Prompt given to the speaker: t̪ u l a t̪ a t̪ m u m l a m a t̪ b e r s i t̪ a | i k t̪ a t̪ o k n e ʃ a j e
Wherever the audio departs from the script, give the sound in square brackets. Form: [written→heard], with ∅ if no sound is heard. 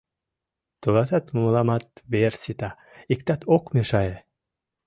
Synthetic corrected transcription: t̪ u l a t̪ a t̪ m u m l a m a t̪ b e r s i t̪ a | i k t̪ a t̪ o k [n→m] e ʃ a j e